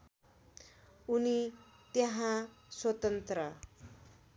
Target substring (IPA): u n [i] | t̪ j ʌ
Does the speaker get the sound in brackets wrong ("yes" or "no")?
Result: no